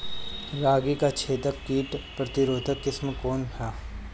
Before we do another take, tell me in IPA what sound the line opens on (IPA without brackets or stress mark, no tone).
ɾ